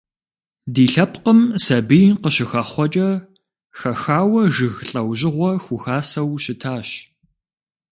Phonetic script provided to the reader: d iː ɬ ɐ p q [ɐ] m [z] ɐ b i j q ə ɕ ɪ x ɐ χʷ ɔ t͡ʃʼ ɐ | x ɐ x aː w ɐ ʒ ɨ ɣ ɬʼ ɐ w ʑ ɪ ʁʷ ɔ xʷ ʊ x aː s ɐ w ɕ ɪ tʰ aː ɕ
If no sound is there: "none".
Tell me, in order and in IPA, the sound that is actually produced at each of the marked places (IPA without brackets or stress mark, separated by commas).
ə, s